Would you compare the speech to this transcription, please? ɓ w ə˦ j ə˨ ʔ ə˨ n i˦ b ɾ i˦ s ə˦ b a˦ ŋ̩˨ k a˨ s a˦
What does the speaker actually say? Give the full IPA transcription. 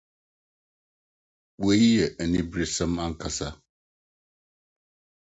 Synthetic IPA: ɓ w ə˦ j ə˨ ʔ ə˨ n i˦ b ɾ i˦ s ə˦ m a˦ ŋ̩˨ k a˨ s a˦